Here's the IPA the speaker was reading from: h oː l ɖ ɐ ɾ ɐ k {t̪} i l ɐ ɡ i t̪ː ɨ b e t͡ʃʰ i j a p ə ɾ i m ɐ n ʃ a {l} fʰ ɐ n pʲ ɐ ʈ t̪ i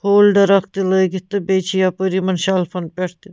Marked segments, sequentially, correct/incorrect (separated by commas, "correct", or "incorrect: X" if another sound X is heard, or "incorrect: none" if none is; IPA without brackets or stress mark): correct, correct